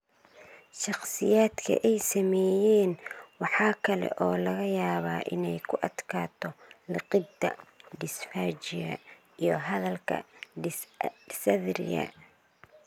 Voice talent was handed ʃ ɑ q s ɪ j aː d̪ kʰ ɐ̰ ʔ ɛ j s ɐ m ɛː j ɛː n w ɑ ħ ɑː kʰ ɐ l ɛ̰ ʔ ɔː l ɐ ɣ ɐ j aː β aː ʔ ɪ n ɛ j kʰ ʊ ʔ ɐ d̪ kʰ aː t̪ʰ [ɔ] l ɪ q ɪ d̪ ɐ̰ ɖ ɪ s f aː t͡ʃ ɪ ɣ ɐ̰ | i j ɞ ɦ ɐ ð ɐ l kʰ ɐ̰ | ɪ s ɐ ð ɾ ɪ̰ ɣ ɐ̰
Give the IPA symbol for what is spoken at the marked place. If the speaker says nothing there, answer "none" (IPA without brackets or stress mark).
ɔ